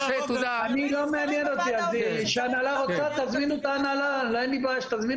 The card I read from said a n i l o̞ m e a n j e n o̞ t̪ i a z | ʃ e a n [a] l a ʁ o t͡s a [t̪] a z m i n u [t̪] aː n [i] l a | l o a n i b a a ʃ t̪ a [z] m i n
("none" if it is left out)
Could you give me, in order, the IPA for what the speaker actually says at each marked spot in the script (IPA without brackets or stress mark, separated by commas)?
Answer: a, t̪, t̪, a, z